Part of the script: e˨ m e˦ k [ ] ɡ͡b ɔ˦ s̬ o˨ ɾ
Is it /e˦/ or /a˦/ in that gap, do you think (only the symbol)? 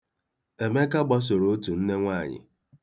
a˦